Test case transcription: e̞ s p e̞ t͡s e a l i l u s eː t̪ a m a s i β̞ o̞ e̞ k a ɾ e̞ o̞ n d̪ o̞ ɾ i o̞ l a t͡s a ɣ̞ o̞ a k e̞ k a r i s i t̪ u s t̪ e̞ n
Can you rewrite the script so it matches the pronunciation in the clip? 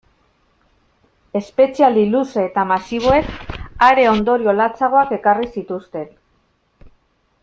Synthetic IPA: e̞ s p e̞ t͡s i a l i l u s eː t̪ a m a s i β̞ o̞ e̞ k a ɾ e̞ o̞ n d̪ o̞ ɾ i o̞ l a t͡s a ɣ̞ o̞ a k e̞ k a r i s i t̪ u s t̪ e̞ n